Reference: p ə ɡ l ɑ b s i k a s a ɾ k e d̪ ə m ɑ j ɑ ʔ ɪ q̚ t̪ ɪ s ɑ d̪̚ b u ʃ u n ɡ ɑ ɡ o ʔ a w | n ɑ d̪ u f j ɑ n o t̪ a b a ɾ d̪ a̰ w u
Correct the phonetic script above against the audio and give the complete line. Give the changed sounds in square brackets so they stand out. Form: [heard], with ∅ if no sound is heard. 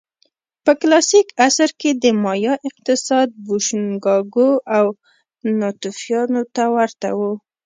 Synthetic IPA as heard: p ə [k] l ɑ [∅] s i k a s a ɾ k e d̪ ə m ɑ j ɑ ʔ ɪ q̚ t̪ ɪ s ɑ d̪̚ b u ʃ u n ɡ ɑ ɡ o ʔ a w | n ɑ [t̪] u f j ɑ n o t̪ a [w] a ɾ [t̪] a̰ w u